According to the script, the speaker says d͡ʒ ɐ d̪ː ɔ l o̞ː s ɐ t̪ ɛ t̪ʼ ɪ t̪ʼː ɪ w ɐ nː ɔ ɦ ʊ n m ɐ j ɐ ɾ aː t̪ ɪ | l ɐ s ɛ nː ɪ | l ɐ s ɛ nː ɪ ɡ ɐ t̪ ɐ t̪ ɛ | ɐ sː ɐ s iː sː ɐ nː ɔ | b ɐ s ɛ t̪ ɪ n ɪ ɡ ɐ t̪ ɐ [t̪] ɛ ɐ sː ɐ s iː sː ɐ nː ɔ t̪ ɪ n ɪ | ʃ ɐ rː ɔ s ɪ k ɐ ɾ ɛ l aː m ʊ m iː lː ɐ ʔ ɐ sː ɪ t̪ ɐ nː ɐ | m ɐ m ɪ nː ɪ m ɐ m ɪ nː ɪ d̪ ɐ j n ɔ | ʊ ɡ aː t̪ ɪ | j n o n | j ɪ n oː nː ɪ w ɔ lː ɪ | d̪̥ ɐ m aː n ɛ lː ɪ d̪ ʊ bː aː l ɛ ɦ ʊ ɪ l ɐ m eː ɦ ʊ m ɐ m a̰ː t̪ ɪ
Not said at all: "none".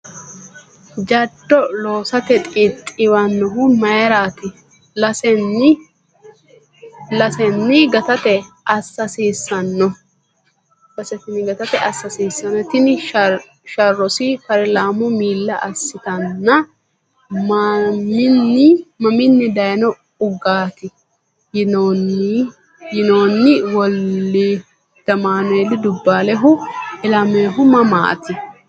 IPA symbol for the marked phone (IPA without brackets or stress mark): t̪